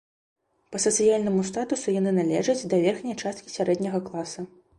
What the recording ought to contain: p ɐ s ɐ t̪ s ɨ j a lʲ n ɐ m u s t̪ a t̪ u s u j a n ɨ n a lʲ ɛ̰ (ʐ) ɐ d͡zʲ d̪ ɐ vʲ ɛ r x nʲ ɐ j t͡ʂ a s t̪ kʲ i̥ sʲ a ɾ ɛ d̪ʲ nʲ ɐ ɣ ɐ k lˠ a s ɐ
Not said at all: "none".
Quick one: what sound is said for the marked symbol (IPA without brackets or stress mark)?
ʐ